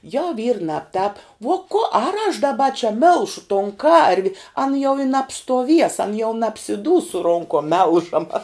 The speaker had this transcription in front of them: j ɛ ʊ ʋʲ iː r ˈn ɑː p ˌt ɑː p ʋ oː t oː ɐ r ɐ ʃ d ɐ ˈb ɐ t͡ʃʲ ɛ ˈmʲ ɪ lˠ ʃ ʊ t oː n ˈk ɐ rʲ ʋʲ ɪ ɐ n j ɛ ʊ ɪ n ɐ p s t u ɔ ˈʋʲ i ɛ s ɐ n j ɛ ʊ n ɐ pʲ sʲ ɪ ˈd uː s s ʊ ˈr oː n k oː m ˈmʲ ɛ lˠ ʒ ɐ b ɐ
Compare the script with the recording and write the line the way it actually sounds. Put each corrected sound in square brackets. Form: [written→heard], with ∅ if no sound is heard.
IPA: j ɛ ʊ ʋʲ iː r ˈn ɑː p ˌt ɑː p ʋ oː [t→k] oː ɐ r ɐ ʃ d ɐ ˈb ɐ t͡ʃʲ ɛ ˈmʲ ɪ lˠ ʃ ʊ t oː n ˈk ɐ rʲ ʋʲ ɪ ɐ n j ɛ ʊ ɪ n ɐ p s t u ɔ ˈʋʲ i ɛ s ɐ n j ɛ ʊ n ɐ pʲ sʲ ɪ ˈd uː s s ʊ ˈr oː [n→ŋ] k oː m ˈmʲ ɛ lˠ ʒ ɐ [b→m] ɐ